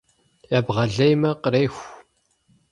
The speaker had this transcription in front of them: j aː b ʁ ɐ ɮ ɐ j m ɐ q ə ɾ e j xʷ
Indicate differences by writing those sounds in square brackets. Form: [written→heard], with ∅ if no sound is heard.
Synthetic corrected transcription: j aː b ʁ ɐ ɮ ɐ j m ɐ q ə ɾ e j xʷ